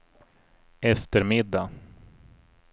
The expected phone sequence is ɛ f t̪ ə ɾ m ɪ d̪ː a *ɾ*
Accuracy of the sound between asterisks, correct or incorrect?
incorrect